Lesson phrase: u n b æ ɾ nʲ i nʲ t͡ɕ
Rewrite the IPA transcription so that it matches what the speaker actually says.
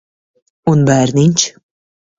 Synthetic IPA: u n b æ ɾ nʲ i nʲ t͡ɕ